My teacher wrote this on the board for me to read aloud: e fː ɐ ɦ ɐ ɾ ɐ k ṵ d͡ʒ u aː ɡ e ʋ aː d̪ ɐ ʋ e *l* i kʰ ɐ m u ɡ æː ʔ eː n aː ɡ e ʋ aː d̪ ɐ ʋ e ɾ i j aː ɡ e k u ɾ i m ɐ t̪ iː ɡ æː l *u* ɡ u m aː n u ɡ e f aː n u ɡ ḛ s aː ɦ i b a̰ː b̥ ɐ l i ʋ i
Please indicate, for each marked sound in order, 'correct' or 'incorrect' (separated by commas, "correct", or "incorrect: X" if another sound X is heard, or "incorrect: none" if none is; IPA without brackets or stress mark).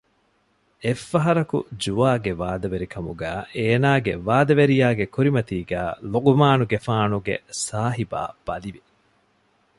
incorrect: ɾ, incorrect: o